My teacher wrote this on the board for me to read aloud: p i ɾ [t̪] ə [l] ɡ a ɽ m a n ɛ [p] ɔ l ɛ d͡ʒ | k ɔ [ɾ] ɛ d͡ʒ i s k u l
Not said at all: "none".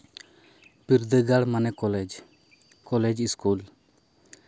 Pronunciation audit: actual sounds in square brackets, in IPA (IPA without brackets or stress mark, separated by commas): d̪, none, k, l